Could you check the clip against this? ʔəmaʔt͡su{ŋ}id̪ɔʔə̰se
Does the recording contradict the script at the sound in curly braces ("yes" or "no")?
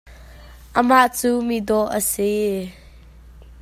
yes